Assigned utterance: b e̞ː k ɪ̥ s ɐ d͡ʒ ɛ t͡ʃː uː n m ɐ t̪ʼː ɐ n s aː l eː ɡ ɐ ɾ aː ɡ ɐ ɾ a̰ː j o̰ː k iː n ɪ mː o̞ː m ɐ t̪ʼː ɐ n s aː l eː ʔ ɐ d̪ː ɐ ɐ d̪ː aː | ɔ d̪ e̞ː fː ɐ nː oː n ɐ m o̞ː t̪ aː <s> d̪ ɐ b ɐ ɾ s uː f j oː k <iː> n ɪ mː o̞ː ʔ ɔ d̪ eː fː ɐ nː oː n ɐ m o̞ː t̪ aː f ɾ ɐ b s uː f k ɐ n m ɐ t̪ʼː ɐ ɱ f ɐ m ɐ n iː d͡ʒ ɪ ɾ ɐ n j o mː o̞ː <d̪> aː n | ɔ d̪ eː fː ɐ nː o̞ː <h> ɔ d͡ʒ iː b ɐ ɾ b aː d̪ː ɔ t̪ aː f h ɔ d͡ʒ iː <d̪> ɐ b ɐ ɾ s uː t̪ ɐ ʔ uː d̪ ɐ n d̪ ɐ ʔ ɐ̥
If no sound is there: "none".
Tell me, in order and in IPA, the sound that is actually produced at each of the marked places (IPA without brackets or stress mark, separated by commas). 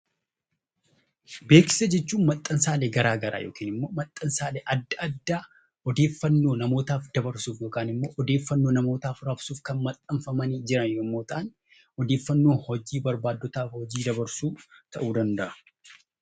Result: f, aː, t̪, h, d̪